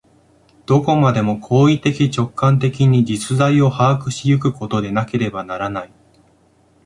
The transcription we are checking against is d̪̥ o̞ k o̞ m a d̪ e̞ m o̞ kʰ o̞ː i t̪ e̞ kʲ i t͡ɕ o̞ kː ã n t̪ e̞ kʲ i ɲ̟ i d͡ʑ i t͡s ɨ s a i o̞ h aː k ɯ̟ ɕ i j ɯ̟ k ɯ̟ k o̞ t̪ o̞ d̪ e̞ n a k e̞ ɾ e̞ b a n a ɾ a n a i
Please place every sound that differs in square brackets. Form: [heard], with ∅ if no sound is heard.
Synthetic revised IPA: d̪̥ o̞ k o̞ m a d̪ e̞ m o̞ kʰ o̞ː i t̪ e̞ kʲ i t͡ɕ o̞ kː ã n t̪ e̞ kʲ i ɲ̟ i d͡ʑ i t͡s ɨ [z] a i o̞ h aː k ɯ̟ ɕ i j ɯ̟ k ɯ̟ k o̞ t̪ o̞ d̪ e̞ n a k e̞ ɾ e̞ b a n a ɾ a n a i